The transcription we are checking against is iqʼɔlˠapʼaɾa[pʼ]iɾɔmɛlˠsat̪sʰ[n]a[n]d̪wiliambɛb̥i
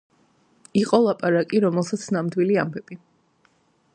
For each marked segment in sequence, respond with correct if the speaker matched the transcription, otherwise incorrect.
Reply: incorrect, correct, incorrect

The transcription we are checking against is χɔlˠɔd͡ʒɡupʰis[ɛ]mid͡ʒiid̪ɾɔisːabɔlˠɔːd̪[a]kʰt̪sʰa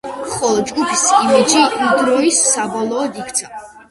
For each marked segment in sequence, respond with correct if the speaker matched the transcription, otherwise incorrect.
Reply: incorrect, incorrect

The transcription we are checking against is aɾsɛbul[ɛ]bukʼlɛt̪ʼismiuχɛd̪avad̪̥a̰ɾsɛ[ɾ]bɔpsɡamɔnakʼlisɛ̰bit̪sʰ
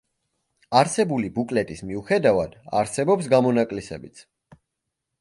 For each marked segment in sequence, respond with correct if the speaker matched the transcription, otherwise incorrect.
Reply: incorrect, incorrect

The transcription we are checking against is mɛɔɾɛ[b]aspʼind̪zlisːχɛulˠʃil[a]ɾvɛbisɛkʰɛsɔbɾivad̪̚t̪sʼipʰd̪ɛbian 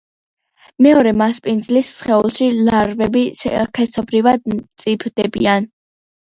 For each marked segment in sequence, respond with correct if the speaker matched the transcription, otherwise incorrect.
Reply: incorrect, correct

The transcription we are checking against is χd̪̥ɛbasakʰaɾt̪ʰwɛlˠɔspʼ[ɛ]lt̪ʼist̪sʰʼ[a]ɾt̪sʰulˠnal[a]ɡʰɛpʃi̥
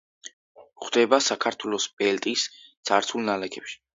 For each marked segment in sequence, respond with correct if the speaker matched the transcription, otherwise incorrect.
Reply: correct, correct, incorrect

